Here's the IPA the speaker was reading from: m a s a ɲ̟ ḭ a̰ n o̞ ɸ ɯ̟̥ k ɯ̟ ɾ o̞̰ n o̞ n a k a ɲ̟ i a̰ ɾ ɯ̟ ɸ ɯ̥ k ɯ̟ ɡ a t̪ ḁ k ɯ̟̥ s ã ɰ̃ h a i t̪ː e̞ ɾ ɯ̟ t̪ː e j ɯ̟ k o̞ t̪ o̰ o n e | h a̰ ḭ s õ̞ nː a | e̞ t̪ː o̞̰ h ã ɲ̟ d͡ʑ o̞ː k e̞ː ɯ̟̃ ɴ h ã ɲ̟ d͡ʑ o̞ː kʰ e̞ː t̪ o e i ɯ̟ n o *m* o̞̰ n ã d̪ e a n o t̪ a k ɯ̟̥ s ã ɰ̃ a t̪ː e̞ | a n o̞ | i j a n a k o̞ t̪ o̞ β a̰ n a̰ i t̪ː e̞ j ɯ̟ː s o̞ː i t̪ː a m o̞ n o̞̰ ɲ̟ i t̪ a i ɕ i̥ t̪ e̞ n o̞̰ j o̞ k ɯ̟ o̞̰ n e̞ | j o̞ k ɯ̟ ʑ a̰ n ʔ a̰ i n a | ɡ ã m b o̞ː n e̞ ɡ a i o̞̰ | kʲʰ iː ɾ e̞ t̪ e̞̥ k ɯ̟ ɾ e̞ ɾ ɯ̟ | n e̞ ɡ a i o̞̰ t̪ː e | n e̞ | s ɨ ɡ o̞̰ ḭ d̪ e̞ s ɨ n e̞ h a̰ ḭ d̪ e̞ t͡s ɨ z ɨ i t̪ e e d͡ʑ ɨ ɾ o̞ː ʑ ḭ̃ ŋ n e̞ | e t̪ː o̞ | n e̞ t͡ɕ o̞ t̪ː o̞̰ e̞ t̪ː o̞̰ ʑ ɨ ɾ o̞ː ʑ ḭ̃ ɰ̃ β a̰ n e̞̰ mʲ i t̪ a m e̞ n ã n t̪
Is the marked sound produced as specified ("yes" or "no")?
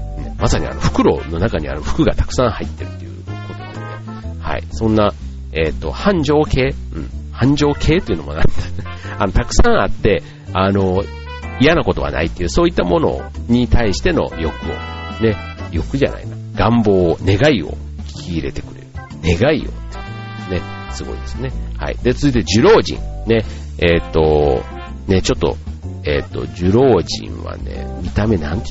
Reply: yes